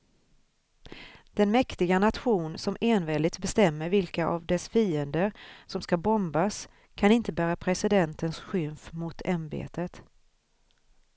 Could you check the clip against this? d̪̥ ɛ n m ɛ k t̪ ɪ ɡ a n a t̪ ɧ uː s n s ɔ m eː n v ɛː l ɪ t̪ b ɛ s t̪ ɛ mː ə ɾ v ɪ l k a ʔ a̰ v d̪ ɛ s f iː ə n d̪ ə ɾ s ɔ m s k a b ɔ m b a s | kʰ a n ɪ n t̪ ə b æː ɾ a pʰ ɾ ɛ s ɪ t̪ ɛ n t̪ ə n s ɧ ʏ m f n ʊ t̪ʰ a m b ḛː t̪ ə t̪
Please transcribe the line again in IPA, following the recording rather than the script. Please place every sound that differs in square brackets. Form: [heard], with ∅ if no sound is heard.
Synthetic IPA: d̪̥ ɛ n m ɛ k t̪ ɪ ɡ a n a t̪ ɧ uː [∅] n s ɔ m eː n v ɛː l ɪ t̪ b ɛ s t̪ ɛ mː ə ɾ v ɪ l k a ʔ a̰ v d̪ ɛ s f iː ə n d̪ ə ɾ s ɔ m s k a b ɔ m b a s | kʰ a n ɪ n t̪ ə b æː ɾ a pʰ ɾ ɛ s ɪ [d̪] ɛ n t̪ ə n s ɧ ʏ m f [m] ʊ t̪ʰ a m b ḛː t̪ ə t̪